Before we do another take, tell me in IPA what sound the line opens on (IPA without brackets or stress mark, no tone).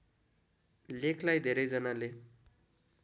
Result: l